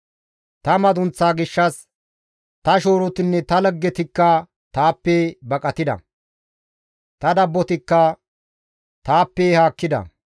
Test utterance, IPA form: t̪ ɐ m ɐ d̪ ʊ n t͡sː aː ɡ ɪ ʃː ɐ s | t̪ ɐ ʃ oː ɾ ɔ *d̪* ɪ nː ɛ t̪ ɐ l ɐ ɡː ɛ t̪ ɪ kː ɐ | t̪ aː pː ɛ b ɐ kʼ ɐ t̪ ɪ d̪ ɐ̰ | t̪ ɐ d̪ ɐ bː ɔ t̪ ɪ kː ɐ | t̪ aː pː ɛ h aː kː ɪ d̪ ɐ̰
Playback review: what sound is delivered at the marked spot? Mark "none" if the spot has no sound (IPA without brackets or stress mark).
t̪